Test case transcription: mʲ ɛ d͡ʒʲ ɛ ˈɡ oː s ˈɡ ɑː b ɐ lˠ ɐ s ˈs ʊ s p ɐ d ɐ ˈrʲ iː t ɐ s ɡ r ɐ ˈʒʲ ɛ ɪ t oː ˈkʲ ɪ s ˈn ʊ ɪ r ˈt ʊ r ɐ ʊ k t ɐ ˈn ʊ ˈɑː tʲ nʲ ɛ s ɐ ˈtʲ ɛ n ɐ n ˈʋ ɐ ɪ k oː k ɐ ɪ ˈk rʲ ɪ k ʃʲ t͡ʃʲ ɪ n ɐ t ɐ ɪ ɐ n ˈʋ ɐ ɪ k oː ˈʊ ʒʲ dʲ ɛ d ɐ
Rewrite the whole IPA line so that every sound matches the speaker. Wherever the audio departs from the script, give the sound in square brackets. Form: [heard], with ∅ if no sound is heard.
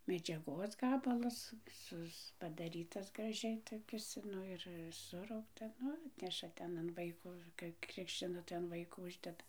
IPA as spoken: mʲ ɛ d͡ʒʲ ɛ ˈɡ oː s ˈɡ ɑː b ɐ lˠ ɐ s ˈs ʊ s p ɐ d ɐ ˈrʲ iː t ɐ s ɡ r ɐ ˈʒʲ ɛ ɪ t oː ˈkʲ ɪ s ˈn ʊ ɪ r [ˈs] ʊ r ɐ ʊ k t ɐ ˈn ʊ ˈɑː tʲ nʲ ɛ [ʃ] ɐ ˈtʲ ɛ n ɐ n ˈʋ ɐ ɪ k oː k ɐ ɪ ˈk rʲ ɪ k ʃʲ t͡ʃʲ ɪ n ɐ t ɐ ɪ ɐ n ˈʋ ɐ ɪ k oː ˈʊ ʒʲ dʲ ɛ d ɐ